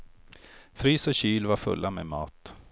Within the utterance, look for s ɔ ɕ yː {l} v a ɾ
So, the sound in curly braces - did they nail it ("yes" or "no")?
yes